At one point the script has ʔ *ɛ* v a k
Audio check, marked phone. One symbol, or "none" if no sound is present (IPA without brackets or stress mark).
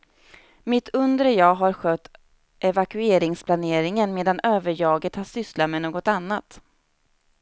ɛ